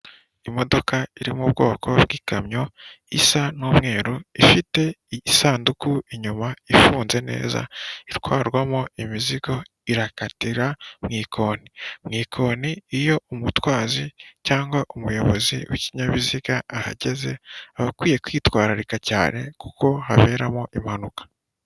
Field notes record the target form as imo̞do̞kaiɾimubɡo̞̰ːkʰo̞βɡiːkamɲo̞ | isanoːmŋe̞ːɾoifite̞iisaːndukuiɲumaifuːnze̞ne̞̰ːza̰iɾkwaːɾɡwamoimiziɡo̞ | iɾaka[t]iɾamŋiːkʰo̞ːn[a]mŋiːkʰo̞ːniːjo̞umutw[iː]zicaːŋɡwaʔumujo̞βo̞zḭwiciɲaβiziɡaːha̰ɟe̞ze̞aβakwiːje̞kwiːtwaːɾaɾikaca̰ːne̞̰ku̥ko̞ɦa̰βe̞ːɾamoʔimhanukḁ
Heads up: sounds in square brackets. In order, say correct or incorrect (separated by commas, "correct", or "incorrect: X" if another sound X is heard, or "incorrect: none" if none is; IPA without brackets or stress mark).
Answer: correct, incorrect: i, incorrect: aː